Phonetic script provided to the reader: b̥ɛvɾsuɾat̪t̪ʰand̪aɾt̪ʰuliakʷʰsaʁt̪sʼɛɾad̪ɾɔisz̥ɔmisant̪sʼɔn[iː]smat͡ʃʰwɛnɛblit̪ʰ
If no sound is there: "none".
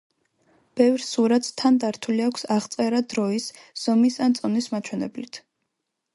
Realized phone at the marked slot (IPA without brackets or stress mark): i